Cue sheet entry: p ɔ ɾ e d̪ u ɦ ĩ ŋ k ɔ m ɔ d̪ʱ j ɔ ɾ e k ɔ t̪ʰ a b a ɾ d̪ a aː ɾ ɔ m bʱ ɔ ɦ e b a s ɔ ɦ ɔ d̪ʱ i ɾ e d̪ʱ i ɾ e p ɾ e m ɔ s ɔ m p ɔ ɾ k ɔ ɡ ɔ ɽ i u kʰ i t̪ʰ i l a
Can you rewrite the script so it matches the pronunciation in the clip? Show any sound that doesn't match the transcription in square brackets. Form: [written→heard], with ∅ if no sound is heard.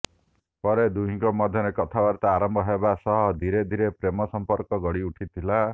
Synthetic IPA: p ɔ ɾ e d̪ u ɦ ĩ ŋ k ɔ m ɔ d̪ʱ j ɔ ɾ e k ɔ t̪ʰ a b a ɾ [d̪→t̪] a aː ɾ ɔ m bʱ ɔ ɦ e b a s ɔ ɦ ɔ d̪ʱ i ɾ e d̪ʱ i ɾ e p ɾ e m ɔ s ɔ m p ɔ ɾ k ɔ ɡ ɔ ɽ i u [kʰ→ʈʰ] i t̪ʰ i l a